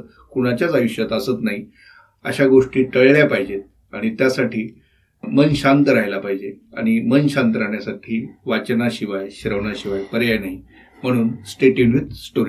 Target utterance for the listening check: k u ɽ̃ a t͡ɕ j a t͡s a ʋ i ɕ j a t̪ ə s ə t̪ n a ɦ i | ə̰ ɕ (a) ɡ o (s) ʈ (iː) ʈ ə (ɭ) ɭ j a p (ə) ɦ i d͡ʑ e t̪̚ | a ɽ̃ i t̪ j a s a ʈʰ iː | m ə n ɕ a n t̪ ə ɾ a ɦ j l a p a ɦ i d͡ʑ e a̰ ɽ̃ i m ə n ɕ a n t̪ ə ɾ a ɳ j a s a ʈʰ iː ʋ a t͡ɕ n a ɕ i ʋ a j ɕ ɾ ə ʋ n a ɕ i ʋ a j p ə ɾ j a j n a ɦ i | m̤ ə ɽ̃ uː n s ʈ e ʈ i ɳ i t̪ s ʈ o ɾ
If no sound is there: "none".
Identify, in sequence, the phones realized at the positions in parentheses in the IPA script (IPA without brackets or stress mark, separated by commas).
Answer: a, ʂ, iː, ɭ, a